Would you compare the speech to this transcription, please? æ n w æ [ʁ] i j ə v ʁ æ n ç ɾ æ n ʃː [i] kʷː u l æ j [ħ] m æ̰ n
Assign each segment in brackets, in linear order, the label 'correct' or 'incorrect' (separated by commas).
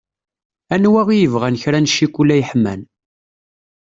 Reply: correct, correct, correct